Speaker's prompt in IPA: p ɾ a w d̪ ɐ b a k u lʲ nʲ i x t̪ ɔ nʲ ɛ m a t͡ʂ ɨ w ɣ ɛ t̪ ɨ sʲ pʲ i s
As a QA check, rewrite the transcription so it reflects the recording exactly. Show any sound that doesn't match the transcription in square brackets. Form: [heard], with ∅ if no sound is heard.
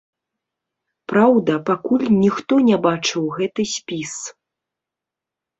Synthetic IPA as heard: p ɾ a w d̪ ɐ [p] a k u lʲ nʲ i x t̪ ɔ nʲ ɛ [b] a t͡ʂ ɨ w ɣ ɛ t̪ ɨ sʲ pʲ i s